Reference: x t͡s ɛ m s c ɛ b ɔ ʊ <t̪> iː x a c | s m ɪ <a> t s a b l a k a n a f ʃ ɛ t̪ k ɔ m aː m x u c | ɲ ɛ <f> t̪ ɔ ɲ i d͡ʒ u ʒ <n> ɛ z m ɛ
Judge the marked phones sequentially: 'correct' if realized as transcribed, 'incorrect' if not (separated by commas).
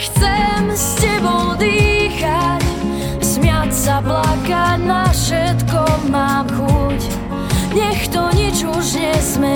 incorrect, correct, incorrect, incorrect